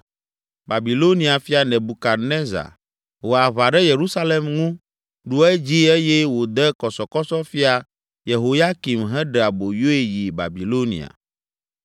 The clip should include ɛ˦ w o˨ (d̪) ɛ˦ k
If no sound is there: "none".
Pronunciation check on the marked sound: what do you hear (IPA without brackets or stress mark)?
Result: d̪